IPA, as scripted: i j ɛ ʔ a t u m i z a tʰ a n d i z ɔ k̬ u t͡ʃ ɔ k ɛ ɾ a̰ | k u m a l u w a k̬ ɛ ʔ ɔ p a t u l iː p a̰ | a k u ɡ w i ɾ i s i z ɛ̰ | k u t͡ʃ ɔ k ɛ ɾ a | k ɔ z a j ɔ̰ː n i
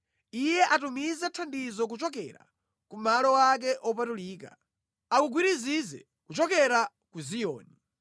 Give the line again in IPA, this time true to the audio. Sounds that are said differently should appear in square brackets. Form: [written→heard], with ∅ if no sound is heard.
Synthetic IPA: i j ɛ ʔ a t u m i z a tʰ a n d i z ɔ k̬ u t͡ʃ ɔ k ɛ ɾ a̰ | k u m a l [u→ɔ] w a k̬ ɛ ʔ ɔ p a t u l iː [p→k] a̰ | a k u ɡ w i ɾ i [s→z] i z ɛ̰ | k u t͡ʃ ɔ k ɛ ɾ a | k [ɔ→u] z [a→i] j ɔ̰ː n i